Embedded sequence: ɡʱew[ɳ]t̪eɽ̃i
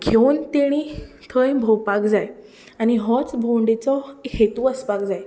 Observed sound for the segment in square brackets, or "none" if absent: n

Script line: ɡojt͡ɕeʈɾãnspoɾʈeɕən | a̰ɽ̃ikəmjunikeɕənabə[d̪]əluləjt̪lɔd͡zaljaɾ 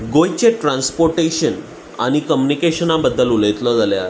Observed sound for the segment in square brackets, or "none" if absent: d̪ː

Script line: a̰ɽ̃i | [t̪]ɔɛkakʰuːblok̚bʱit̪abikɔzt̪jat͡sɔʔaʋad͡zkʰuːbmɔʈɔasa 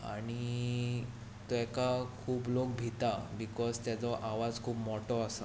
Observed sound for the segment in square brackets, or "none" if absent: t̪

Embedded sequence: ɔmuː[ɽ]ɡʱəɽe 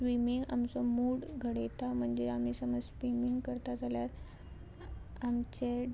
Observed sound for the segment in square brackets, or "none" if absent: ɽ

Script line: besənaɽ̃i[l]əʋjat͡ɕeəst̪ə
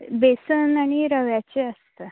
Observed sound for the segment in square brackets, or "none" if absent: ɾ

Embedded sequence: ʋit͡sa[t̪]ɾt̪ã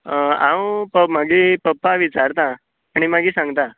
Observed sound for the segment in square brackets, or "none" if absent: none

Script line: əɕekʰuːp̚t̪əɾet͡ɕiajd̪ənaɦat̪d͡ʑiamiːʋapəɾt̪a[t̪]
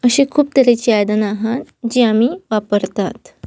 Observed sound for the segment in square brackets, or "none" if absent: t̪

